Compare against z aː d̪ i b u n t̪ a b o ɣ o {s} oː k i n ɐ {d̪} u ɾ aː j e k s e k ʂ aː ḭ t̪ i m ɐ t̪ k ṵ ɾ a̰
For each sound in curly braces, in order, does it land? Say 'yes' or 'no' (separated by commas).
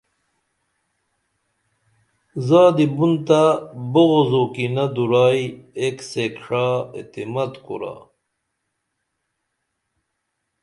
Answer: no, yes